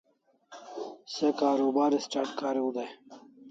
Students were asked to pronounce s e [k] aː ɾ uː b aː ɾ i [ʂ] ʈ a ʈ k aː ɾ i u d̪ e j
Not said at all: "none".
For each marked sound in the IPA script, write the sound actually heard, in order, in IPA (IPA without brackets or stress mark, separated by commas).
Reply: k, s